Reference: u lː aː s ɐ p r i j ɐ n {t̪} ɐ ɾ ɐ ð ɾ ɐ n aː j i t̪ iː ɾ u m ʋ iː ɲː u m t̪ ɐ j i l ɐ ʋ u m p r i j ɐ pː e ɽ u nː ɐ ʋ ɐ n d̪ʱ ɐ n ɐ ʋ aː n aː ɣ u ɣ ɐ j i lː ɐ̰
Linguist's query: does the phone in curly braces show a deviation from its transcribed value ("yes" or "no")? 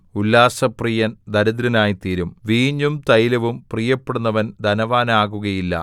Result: yes